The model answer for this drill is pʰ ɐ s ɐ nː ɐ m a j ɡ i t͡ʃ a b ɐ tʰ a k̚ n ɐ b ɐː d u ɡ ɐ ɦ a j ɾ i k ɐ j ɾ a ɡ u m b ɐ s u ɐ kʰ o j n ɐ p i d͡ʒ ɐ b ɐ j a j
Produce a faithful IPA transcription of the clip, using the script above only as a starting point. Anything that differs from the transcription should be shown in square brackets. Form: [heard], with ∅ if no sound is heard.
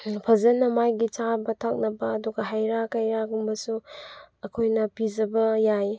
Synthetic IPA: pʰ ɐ [z] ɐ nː ɐ m a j ɡ i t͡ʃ a b ɐ tʰ a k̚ n ɐ b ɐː d u ɡ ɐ ɦ a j ɾ [a] k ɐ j ɾ a ɡ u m b ɐ s u ɐ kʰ o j n ɐ p i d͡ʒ ɐ b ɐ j a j